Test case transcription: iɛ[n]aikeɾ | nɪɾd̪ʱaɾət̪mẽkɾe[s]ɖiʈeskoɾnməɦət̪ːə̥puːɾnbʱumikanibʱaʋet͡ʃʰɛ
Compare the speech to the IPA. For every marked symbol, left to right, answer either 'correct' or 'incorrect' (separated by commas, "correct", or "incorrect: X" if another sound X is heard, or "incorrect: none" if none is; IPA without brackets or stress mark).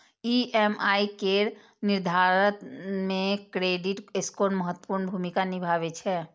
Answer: incorrect: m, incorrect: none